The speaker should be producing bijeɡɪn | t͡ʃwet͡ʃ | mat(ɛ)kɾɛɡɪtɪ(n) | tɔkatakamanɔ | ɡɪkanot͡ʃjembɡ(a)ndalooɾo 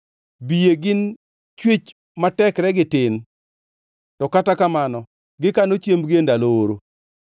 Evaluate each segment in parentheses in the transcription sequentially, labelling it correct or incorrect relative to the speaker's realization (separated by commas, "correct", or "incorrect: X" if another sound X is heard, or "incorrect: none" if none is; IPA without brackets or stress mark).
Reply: correct, correct, incorrect: e